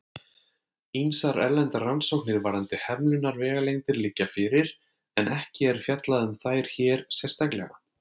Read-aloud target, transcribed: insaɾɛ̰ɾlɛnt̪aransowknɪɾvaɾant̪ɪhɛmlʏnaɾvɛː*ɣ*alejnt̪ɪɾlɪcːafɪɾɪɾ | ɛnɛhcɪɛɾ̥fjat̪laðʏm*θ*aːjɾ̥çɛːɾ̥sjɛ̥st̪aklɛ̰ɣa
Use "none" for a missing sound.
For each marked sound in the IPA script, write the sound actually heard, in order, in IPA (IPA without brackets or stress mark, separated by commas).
ɣ, θ